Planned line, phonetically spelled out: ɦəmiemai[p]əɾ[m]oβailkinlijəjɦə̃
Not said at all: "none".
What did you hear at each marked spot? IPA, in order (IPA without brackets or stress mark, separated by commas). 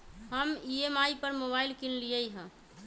p, m